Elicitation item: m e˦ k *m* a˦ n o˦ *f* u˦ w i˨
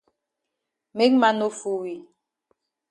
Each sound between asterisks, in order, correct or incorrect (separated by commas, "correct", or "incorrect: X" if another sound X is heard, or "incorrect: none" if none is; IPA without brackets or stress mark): correct, correct